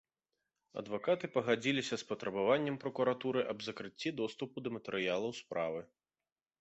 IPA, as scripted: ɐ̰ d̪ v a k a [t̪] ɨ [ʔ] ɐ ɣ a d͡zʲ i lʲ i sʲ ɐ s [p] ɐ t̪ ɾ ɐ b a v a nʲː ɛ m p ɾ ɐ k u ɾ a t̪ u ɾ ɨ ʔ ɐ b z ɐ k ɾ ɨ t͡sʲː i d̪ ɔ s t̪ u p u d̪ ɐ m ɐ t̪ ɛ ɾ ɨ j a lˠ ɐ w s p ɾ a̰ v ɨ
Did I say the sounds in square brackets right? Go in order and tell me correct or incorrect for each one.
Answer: correct, incorrect, correct

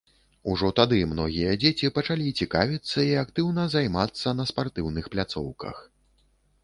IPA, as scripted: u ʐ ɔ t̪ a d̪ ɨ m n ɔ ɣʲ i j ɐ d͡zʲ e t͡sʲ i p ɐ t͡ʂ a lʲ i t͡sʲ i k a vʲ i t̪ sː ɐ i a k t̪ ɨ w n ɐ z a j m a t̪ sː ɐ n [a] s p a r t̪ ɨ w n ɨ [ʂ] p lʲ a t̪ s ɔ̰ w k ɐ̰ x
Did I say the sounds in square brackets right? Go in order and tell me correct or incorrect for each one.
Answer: incorrect, incorrect

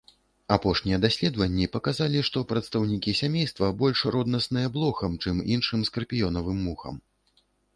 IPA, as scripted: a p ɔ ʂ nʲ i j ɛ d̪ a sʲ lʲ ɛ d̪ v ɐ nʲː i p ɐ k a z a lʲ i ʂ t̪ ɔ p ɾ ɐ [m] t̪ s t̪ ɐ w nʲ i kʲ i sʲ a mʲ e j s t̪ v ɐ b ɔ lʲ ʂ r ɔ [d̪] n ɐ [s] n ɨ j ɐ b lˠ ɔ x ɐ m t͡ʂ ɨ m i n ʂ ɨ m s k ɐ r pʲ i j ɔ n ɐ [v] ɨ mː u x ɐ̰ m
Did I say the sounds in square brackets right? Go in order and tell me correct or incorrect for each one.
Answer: incorrect, correct, correct, correct

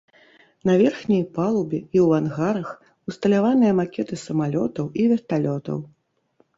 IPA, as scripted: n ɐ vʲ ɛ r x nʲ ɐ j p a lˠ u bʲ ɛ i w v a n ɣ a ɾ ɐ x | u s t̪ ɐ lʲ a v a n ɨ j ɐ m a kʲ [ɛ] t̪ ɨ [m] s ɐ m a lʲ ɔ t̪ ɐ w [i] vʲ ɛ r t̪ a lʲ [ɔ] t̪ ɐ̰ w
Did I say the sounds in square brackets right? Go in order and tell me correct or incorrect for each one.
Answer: correct, incorrect, correct, correct

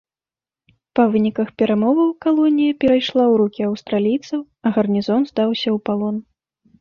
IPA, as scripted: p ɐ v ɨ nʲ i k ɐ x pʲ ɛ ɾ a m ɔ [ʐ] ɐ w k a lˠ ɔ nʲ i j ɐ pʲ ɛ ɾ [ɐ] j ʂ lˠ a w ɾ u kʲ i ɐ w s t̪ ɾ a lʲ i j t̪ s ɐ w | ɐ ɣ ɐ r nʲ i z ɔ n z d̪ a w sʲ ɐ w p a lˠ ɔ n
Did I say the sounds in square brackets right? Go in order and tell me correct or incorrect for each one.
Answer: incorrect, incorrect

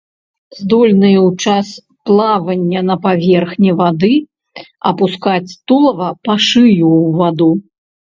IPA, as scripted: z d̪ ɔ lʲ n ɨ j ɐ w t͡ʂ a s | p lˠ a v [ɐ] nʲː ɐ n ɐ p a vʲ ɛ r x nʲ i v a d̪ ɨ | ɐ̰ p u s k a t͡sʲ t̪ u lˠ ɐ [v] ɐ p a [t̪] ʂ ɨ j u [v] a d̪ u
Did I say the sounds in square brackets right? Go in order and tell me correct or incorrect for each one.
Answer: correct, correct, incorrect, correct

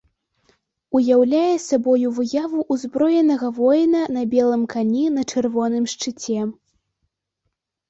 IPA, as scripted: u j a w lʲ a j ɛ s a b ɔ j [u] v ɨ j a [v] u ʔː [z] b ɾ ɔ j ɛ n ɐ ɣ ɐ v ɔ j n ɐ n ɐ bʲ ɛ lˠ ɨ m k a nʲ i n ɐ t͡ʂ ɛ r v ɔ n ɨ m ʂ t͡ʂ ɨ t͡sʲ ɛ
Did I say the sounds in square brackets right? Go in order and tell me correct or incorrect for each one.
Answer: correct, correct, correct

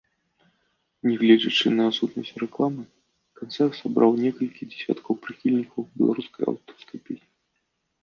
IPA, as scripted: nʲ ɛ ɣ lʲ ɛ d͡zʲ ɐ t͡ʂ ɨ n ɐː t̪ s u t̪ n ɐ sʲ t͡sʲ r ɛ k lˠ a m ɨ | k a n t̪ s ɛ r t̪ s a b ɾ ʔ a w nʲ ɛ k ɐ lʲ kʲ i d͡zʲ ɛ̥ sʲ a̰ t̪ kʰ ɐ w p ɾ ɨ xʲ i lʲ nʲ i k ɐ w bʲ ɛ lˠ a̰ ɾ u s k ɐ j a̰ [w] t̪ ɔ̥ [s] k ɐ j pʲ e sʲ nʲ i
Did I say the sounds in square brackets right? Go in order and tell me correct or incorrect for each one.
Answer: correct, correct

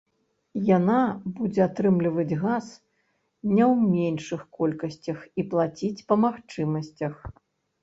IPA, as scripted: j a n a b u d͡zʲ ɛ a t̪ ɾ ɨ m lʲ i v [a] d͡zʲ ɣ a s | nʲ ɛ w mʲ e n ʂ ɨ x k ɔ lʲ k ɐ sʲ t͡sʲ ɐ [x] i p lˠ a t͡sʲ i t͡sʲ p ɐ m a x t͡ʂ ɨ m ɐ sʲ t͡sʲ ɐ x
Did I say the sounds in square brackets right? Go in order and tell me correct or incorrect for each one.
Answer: incorrect, correct

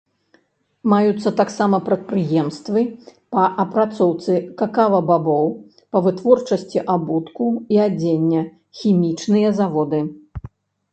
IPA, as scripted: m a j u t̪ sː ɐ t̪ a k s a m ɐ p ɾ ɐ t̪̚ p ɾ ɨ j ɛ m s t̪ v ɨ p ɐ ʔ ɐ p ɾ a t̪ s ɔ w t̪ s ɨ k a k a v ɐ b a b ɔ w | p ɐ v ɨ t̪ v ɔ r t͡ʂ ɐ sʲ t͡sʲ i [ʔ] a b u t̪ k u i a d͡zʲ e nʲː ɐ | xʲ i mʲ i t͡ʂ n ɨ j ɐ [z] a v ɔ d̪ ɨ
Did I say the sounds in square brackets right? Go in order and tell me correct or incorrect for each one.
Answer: correct, correct

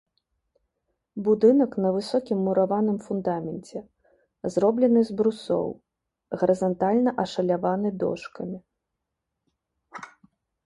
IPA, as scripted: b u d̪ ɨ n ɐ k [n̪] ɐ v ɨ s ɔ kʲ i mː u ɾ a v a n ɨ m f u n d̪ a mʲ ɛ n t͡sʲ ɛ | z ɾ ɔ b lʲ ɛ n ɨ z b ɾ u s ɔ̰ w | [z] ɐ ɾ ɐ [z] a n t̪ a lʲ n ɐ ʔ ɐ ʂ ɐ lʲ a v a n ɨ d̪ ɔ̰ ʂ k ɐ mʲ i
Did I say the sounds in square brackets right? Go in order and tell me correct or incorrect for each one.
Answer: correct, incorrect, correct

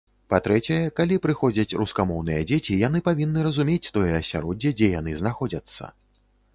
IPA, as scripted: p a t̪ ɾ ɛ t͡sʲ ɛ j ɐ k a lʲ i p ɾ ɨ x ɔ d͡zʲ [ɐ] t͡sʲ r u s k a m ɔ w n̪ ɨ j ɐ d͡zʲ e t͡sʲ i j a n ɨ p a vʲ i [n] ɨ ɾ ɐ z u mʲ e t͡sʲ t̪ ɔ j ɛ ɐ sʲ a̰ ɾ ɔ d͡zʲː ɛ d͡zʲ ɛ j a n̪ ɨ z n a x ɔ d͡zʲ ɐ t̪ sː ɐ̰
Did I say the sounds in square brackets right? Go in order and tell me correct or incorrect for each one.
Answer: correct, incorrect

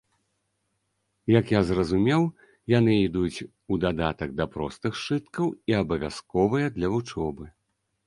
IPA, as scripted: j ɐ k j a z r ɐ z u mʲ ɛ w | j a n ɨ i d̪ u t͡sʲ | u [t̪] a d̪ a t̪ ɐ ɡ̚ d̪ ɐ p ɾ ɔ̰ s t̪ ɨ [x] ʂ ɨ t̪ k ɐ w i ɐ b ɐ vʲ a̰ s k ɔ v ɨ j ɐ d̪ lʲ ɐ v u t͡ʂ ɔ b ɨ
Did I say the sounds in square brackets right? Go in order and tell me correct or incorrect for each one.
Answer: incorrect, correct

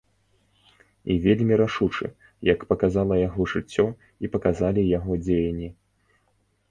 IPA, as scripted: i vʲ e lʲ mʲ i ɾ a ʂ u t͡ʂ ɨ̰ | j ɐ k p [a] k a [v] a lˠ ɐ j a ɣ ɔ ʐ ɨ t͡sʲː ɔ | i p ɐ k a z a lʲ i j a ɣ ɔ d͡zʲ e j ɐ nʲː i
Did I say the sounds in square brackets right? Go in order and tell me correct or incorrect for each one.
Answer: incorrect, incorrect

